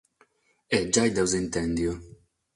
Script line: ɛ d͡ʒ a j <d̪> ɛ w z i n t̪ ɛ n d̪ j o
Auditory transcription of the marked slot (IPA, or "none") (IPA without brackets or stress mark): d̪